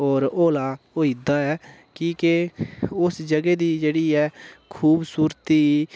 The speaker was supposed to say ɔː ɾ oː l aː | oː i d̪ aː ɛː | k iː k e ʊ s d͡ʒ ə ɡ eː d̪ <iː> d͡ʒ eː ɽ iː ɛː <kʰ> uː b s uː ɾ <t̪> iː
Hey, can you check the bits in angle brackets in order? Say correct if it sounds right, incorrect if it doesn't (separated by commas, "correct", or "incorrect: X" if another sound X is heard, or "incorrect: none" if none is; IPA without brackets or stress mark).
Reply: correct, correct, correct